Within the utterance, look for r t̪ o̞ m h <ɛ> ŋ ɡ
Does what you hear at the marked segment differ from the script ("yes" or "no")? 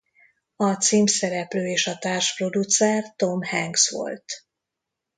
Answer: no